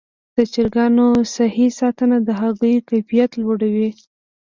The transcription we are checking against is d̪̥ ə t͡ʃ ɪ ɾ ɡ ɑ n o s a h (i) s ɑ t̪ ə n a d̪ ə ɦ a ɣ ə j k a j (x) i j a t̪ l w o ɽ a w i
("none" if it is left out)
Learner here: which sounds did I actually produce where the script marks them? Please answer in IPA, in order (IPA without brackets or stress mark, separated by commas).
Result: i, f